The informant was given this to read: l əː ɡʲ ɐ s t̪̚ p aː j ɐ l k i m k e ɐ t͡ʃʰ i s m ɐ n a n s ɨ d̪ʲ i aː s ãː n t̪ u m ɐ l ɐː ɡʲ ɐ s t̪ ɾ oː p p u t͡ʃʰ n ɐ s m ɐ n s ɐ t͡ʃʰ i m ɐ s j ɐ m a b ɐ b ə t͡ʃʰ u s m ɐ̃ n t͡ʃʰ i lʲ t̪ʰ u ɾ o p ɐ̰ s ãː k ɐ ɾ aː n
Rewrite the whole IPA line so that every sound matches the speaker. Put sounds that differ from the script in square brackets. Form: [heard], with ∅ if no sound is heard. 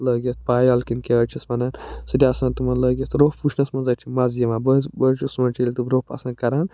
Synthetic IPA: l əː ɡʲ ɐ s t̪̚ p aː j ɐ l k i [n] k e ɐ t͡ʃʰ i s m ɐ n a n s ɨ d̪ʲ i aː s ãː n t̪ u m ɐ l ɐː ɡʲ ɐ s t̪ ɾ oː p p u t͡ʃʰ n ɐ s m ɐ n [z] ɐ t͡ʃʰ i m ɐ [z] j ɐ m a b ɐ b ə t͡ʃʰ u s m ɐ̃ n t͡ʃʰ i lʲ [t̪] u ɾ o p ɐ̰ s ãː k ɐ ɾ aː n